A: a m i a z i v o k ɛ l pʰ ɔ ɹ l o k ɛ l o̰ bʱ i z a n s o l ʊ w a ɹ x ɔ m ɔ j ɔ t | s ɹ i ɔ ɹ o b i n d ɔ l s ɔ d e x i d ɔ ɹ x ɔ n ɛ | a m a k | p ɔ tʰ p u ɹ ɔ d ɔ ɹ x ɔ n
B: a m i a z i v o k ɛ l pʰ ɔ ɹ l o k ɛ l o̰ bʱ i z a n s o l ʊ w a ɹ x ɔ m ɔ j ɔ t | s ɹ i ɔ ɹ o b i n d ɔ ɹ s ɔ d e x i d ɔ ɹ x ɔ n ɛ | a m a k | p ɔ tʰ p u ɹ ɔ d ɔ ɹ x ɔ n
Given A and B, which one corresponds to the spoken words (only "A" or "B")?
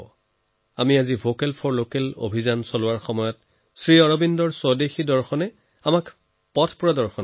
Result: B